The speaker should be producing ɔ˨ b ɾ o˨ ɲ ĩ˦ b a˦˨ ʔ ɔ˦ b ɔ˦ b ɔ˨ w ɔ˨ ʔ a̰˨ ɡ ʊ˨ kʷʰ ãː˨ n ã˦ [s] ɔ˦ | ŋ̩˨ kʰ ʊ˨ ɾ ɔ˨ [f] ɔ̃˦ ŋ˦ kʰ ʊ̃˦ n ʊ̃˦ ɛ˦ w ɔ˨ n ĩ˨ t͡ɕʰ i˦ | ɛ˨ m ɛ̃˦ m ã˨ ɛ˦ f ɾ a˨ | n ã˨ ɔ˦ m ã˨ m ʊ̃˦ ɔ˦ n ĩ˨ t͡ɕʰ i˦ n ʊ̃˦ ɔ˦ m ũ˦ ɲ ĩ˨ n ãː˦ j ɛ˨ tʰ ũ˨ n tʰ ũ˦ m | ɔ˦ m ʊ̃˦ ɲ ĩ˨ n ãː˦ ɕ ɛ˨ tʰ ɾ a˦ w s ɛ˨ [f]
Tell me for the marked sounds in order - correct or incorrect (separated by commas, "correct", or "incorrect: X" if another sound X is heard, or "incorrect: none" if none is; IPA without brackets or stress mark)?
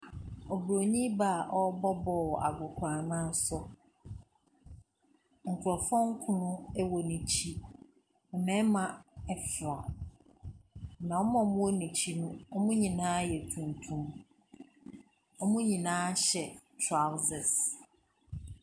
correct, correct, incorrect: s